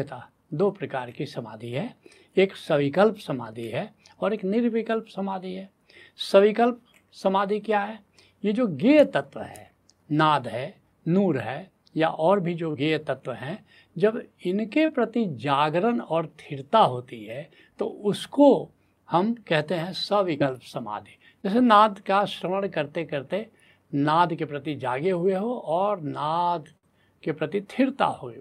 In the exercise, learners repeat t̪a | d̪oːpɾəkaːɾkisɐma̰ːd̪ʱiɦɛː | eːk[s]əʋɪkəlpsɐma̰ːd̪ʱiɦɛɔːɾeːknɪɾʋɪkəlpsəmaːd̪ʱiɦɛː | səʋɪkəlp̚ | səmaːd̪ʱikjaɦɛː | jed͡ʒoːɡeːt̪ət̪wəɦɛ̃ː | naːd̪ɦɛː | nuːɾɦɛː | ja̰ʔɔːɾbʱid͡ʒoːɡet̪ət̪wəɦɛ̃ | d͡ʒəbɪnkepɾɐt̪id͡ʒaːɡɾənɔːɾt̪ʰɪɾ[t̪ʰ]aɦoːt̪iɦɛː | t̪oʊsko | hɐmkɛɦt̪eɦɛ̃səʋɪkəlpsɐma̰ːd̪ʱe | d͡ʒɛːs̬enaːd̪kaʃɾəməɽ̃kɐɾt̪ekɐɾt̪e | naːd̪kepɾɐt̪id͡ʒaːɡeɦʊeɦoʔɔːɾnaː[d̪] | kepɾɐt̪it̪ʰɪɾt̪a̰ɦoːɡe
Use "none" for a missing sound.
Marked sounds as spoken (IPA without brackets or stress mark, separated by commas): s, t̪, d̪